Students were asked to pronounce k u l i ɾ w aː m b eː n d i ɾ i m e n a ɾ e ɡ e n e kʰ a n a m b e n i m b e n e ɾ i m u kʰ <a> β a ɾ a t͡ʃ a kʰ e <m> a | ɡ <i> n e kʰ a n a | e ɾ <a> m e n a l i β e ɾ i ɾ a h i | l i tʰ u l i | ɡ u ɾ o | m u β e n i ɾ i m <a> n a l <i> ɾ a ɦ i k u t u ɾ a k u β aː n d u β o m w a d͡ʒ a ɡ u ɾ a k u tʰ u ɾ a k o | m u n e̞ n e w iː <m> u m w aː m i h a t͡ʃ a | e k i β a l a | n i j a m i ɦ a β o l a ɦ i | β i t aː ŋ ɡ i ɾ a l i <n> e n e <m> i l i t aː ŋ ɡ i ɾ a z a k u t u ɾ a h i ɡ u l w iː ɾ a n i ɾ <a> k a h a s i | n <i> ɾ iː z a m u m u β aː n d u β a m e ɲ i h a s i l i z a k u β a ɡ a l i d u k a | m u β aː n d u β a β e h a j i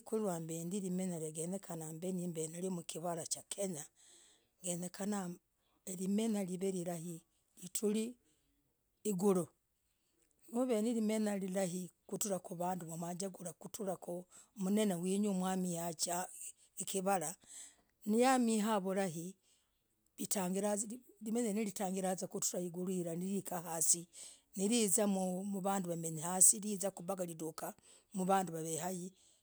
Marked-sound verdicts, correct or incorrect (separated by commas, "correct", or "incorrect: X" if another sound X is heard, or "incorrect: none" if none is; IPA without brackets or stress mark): incorrect: i, incorrect: ɲ, incorrect: e, incorrect: i, incorrect: e, correct, incorrect: ɲ, incorrect: m, incorrect: n, incorrect: i, correct